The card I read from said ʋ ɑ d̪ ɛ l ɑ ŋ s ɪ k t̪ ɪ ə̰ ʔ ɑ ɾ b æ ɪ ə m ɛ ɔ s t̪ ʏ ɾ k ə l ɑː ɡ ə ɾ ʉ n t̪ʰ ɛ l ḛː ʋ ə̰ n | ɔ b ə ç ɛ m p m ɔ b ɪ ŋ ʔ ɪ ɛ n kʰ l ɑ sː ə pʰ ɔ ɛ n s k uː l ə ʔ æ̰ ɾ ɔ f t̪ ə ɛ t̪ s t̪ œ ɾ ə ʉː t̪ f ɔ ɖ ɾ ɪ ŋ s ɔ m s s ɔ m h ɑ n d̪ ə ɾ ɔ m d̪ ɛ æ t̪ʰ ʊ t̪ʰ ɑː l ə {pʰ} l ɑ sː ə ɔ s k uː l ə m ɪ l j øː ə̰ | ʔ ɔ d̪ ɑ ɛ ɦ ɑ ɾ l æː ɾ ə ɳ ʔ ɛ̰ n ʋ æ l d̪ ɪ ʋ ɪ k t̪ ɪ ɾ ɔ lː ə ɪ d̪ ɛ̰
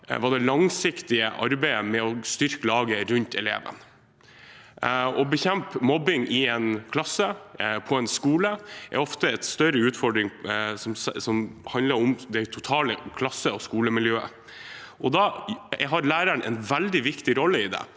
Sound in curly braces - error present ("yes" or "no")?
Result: yes